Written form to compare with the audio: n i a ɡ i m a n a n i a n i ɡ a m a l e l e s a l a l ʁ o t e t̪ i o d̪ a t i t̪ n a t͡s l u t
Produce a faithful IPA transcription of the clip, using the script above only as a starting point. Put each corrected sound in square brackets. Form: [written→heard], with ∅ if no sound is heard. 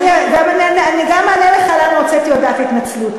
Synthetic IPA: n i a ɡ [i→a] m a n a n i a n i ɡ a m a l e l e [s→χ] a l a l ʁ o [t→t͡s] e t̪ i o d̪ a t i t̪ n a t͡s l u t